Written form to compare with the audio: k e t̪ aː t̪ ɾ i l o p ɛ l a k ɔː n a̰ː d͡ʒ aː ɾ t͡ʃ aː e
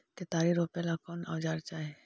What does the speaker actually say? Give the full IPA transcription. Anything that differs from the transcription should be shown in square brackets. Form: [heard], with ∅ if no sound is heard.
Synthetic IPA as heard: k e t̪ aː [∅] ɾ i [ɾ] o p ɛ l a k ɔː n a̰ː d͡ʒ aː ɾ t͡ʃ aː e